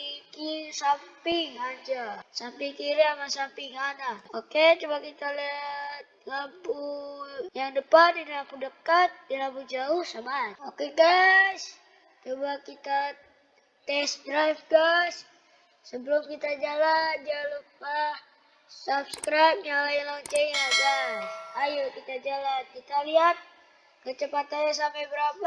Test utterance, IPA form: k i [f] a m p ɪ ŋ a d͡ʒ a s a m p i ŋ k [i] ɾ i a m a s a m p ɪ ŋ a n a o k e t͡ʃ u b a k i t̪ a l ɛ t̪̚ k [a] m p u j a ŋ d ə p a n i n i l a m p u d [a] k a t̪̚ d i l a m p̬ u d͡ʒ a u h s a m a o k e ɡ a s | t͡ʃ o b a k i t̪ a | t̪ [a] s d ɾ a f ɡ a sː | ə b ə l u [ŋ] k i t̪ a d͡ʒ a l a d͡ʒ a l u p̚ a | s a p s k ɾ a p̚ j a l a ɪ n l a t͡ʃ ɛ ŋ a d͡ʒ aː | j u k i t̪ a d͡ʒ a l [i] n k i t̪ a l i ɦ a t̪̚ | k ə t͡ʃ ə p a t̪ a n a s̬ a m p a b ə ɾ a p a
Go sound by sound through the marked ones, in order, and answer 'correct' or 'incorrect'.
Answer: incorrect: s, correct, correct, incorrect: ə, incorrect: ɛ, incorrect: m, incorrect: a

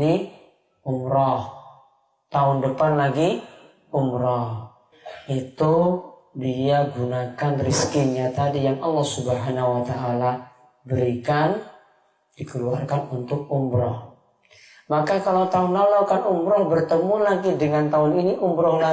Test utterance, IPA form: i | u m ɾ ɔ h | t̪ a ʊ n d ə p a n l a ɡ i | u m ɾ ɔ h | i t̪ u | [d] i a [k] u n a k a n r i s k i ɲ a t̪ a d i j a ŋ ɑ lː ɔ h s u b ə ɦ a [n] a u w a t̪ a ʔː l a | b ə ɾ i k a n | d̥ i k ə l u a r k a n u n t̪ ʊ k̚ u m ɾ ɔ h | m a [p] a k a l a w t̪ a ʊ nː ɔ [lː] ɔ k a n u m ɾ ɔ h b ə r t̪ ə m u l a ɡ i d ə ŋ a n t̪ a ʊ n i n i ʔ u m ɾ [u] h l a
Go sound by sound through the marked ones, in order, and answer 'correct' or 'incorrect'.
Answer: correct, incorrect: ɡ, correct, incorrect: k, incorrect: l, incorrect: ɔ

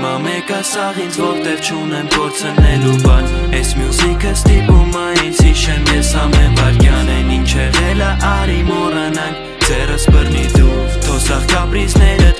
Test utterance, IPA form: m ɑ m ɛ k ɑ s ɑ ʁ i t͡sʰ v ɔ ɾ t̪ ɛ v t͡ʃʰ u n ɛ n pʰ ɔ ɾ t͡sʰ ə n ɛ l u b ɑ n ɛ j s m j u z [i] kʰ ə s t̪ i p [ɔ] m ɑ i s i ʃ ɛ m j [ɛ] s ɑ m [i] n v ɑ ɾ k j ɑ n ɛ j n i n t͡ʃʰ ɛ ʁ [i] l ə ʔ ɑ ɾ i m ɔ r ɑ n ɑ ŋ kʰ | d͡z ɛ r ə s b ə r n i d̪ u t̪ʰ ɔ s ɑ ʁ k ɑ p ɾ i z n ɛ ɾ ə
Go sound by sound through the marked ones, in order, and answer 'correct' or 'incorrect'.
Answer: correct, incorrect: u, correct, incorrect: ɛ, incorrect: ɛ

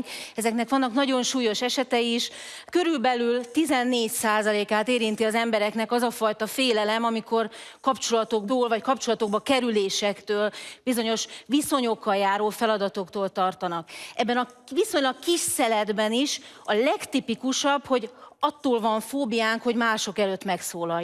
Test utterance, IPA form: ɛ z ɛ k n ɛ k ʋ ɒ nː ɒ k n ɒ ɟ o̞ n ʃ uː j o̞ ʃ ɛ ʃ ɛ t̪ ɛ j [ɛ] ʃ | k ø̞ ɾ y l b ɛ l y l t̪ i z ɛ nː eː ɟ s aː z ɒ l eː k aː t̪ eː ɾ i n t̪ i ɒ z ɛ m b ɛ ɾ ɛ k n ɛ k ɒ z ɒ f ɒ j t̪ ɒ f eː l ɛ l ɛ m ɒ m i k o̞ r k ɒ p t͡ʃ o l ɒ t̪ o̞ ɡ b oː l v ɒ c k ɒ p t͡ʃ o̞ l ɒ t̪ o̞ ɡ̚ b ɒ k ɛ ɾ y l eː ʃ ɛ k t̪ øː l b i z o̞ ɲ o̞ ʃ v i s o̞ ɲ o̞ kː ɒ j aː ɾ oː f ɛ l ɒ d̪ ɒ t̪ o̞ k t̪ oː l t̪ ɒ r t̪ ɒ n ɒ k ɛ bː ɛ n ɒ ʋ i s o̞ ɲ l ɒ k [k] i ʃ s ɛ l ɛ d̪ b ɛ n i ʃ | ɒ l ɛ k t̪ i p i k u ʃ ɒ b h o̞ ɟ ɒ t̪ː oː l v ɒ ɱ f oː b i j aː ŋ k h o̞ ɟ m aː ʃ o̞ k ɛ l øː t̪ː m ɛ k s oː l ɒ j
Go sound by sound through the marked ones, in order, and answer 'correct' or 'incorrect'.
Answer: incorrect: i, correct

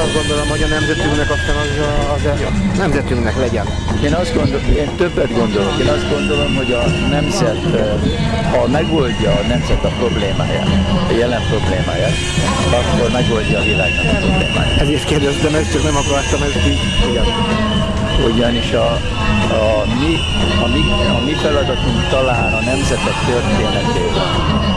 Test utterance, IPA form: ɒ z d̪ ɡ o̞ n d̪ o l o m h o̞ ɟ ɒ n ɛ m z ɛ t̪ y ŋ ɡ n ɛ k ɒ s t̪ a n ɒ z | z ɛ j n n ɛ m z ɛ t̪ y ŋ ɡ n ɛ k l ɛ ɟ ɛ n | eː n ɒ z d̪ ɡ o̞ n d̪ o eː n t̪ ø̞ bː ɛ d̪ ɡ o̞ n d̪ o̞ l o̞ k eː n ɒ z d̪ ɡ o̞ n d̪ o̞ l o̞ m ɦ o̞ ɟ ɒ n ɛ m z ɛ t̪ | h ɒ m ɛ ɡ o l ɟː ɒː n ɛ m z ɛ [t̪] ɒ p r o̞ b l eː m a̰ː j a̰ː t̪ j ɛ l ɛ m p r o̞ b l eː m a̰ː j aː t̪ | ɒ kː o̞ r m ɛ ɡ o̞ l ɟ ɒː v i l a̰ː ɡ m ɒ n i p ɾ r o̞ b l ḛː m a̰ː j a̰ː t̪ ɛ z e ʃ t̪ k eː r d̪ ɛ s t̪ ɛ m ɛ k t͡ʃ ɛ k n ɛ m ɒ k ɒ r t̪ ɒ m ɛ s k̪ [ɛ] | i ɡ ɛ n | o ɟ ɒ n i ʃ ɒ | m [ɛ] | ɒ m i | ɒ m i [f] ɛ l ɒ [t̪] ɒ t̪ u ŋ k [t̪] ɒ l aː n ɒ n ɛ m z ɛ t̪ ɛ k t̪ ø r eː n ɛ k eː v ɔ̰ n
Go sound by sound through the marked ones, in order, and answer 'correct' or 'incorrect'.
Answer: correct, incorrect: i, incorrect: i, correct, incorrect: d̪, correct

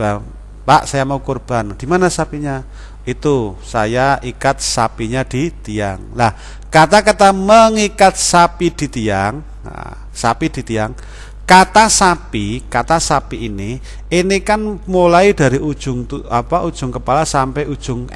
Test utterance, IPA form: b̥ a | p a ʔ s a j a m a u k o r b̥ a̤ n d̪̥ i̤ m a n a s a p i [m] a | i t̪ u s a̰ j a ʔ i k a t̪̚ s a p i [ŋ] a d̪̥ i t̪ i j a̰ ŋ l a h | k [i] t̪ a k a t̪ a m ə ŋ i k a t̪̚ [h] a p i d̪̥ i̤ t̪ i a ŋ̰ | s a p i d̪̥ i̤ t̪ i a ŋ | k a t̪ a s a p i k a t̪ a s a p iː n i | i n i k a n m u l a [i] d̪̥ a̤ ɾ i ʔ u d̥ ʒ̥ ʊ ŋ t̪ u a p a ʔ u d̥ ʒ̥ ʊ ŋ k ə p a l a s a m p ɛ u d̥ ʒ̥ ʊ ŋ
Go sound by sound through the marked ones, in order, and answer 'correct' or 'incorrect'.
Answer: incorrect: ɲ, incorrect: ɲ, incorrect: a, incorrect: s, correct

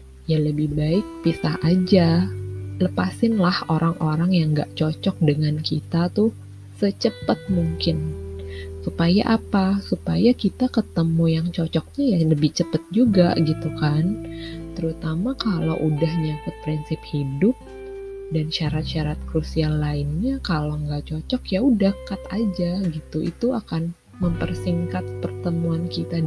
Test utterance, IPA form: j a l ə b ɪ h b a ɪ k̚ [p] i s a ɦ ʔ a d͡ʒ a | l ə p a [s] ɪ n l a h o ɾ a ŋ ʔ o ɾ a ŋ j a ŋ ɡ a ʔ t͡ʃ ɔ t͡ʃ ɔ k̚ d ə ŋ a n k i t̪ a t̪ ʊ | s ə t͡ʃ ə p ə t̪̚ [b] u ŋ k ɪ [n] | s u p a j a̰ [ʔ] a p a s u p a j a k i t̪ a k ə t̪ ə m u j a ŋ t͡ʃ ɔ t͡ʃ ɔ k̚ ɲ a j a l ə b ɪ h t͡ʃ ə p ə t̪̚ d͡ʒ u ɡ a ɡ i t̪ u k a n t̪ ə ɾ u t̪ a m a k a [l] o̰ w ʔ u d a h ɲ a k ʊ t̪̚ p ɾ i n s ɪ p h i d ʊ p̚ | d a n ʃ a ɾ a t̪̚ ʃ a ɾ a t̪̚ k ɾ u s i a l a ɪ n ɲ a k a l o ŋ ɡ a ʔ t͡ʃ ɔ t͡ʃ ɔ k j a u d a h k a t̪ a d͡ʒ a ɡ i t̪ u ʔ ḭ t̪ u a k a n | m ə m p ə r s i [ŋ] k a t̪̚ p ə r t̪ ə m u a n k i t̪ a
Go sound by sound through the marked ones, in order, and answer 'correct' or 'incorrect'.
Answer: correct, correct, incorrect: m, correct, correct, correct, correct

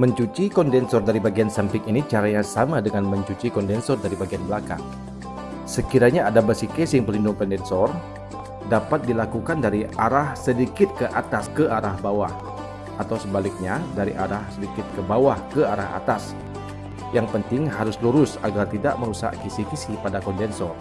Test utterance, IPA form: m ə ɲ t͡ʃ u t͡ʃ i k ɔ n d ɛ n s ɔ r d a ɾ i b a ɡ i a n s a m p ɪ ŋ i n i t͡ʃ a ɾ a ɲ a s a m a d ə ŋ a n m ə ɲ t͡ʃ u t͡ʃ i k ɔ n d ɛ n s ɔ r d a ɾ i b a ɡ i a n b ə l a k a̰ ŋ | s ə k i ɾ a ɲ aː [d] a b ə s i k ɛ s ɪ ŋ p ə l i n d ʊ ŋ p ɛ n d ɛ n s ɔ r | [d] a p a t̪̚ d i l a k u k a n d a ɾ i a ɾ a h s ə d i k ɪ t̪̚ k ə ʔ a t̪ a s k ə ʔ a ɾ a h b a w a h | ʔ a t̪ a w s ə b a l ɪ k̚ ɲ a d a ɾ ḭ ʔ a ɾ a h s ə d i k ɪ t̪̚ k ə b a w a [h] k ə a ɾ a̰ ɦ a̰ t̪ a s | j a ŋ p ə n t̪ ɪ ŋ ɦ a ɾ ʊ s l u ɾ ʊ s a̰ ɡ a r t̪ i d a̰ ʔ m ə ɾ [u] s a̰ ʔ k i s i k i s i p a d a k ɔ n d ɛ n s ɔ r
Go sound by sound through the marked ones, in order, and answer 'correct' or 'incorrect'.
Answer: correct, correct, correct, correct

